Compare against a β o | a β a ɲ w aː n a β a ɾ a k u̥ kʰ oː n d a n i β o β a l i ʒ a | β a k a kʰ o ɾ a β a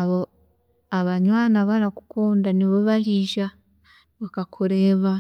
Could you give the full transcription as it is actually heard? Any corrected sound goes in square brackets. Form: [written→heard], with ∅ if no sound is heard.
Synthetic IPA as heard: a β o | a β a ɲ w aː n a β a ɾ a k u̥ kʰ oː n d a n i β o β a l i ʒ a | β a k a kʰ o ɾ [a→e] β a